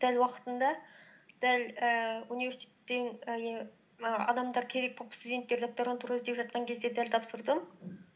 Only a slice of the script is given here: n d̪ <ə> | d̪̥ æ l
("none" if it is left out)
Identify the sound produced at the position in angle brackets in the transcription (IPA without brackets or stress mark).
ɑ